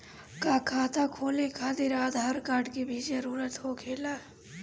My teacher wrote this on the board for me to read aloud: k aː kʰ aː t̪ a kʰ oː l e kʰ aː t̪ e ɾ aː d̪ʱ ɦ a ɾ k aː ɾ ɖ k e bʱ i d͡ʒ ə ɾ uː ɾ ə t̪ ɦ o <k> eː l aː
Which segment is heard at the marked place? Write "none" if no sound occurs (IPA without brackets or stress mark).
kʰ